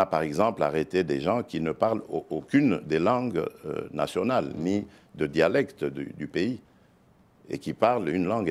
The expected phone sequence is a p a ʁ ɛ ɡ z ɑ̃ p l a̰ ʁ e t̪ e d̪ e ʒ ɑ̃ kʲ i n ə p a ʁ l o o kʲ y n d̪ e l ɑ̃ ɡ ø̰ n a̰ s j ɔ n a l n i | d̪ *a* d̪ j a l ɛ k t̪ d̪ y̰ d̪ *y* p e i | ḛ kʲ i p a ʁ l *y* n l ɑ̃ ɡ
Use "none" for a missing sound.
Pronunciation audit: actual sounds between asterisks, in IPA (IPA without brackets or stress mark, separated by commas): ə, y, y